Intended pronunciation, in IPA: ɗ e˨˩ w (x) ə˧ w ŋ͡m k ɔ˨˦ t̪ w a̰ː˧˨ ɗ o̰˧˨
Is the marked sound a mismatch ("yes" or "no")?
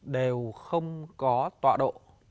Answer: no